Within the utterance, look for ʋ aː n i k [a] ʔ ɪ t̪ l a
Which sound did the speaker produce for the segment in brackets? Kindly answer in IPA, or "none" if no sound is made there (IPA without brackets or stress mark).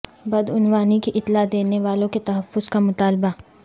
i